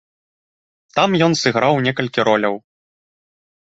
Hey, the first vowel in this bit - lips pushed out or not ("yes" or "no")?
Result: no